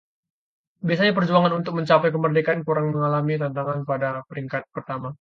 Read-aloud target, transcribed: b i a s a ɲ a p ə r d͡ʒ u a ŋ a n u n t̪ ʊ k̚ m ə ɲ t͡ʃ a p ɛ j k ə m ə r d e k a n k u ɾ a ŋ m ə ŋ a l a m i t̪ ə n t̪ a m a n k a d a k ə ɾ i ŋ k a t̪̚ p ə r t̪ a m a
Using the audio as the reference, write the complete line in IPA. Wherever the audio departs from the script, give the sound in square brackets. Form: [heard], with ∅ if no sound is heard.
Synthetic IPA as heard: b i a s a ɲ a p ə r d͡ʒ u a ŋ a n u n t̪ ʊ k̚ m ə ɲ t͡ʃ a p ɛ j k ə m ə r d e k a n k u ɾ a ŋ m ə ŋ a l a m i t̪ [a] n t̪ a [ŋ] a n [p] a d a [p] ə ɾ i ŋ k a t̪̚ p ə r t̪ a m a